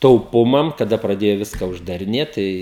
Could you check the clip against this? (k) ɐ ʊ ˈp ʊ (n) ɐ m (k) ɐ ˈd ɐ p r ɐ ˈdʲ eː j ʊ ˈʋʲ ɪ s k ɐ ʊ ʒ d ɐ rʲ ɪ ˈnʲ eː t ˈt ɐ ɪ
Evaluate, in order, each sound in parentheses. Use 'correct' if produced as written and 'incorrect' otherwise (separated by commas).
incorrect, incorrect, correct